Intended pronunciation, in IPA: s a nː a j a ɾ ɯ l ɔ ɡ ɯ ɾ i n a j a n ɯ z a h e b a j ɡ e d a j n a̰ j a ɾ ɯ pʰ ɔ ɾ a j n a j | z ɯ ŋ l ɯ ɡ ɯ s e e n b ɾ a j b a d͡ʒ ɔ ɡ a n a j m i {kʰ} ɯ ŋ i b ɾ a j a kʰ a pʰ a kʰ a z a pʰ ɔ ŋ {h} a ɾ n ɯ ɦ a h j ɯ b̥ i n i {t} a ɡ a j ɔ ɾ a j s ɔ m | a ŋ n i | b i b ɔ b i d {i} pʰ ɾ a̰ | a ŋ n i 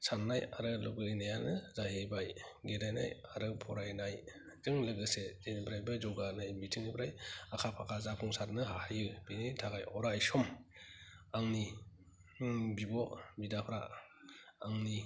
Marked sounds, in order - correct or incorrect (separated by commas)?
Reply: incorrect, incorrect, incorrect, incorrect